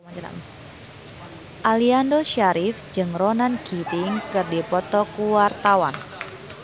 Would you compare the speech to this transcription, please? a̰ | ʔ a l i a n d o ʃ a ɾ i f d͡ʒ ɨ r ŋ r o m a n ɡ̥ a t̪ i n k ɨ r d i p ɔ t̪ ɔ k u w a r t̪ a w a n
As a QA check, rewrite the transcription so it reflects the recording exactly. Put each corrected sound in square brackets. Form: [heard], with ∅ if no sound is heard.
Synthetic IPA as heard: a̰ | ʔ a l i a n d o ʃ a ɾ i f d͡ʒ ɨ [∅] ŋ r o [n] a n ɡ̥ [i] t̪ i [ŋ] k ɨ r d i p ɔ t̪ ɔ k u w a r t̪ a w a n